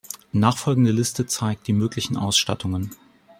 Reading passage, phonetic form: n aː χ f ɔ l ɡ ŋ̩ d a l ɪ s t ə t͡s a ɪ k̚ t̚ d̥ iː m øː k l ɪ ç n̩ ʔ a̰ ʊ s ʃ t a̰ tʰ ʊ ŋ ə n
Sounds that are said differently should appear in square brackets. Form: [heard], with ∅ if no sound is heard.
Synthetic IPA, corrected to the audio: n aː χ f ɔ l ɡ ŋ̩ d [ə] l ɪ s t ə t͡s a ɪ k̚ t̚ d̥ iː m øː k l ɪ ç n̩ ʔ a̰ ʊ s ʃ t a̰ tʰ ʊ ŋ ə n